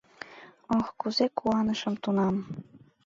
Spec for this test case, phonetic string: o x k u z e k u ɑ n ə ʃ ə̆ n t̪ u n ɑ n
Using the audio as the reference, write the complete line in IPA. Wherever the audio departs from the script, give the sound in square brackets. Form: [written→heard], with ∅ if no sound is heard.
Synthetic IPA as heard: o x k u z e k u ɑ n ə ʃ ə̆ [n→m] t̪ u n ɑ [n→m]